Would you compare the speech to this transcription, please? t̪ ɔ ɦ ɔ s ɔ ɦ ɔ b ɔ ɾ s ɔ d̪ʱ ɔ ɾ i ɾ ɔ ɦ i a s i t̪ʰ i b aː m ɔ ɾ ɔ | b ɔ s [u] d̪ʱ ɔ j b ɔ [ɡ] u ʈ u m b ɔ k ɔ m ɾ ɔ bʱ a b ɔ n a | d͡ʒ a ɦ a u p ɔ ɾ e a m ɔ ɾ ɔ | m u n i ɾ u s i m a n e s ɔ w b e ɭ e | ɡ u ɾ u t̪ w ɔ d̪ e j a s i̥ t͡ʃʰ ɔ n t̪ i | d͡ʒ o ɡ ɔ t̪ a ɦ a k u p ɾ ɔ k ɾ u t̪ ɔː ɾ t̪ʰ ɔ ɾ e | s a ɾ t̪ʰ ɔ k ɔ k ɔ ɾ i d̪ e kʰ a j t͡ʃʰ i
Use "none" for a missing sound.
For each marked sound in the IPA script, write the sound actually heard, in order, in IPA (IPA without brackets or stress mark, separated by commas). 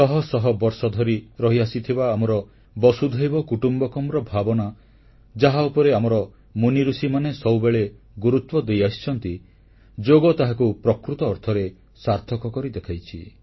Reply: u, k